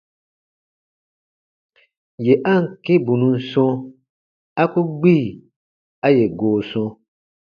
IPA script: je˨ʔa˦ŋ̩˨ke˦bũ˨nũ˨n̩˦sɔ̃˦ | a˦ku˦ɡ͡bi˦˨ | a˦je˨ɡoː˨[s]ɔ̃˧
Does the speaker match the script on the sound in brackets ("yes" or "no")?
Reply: yes